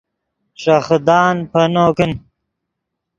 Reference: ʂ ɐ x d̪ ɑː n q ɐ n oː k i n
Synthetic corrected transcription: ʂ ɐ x d̪ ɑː n p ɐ n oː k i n